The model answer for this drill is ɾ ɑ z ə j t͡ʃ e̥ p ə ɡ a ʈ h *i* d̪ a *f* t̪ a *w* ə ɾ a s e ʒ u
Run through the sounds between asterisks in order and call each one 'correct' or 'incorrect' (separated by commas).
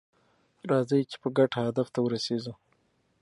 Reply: incorrect, correct, correct